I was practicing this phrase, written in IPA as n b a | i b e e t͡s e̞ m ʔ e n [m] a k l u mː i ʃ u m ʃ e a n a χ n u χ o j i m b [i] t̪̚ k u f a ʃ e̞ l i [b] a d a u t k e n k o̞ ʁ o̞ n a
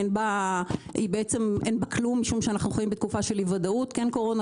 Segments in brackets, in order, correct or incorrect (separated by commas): incorrect, incorrect, incorrect